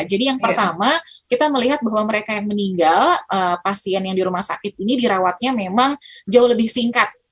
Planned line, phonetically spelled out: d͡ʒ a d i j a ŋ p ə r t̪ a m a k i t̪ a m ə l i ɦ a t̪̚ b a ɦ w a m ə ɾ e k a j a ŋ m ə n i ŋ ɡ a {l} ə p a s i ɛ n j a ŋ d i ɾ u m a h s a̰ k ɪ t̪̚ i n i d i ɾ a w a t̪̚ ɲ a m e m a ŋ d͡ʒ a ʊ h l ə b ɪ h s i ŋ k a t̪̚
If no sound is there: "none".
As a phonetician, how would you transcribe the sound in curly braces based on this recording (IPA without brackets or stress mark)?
l